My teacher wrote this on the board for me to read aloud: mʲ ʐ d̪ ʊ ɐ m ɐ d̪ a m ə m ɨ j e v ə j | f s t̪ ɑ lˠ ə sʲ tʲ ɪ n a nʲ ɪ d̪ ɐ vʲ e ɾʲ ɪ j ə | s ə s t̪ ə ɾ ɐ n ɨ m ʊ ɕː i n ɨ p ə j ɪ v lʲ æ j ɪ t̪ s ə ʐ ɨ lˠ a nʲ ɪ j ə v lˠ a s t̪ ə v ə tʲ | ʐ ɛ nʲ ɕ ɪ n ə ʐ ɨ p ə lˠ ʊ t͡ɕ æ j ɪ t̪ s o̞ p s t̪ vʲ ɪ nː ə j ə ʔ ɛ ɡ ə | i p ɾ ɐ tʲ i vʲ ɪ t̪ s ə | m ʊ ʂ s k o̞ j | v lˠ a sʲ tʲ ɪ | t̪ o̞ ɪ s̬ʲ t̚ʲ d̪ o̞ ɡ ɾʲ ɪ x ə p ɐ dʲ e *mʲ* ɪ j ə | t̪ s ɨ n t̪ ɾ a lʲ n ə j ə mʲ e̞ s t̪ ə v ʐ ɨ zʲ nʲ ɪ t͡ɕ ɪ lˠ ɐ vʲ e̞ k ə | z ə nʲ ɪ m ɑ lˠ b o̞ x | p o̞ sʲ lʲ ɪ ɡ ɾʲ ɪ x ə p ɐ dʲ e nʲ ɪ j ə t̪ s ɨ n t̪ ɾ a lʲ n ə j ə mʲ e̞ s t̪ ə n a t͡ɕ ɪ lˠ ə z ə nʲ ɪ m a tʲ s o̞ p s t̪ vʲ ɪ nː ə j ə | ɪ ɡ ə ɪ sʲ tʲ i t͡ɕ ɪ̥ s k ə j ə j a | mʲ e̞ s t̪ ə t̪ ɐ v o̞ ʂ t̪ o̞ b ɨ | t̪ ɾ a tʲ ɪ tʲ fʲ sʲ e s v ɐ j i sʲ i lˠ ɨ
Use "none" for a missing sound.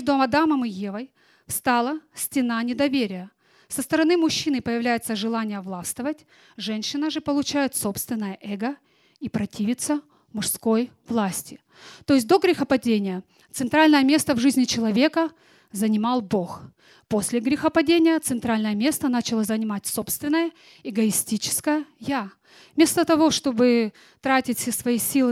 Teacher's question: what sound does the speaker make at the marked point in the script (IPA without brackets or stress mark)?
nʲ